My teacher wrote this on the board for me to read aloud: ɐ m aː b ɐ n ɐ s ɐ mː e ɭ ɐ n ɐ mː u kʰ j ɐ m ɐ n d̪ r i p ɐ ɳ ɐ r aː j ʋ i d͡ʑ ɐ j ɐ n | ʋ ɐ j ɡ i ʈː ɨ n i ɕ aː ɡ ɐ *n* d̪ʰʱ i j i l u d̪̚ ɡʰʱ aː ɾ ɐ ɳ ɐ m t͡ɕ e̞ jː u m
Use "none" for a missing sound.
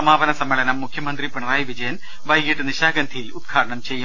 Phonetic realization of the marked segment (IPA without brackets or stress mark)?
n